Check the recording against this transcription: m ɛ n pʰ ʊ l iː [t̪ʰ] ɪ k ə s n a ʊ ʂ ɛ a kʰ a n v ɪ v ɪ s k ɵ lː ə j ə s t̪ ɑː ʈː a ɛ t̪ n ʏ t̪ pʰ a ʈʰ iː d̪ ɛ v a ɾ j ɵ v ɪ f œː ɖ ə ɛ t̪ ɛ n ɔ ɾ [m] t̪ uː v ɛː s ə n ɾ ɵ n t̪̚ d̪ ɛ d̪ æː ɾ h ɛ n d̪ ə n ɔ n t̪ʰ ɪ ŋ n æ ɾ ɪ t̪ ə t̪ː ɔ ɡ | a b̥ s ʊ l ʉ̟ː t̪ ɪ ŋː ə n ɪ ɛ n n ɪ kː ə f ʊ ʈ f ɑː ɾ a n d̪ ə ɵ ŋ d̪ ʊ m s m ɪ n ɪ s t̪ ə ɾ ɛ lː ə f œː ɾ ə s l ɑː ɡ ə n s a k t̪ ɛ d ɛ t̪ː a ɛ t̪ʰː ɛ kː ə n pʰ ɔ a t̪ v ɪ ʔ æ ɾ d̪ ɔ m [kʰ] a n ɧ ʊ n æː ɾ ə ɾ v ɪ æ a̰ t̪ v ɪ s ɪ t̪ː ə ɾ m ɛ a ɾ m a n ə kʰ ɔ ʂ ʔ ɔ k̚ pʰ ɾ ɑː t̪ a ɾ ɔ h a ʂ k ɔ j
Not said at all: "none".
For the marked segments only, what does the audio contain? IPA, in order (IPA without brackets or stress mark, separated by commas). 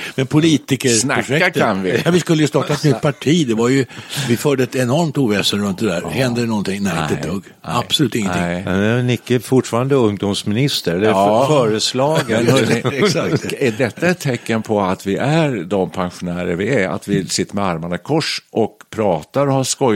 t̪, m, pʰ